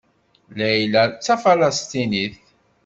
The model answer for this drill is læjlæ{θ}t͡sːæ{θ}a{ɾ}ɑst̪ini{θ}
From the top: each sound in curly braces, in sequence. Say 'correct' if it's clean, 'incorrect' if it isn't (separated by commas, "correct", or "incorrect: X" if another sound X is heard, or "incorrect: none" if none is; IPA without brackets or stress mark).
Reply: incorrect: none, incorrect: f, incorrect: l, correct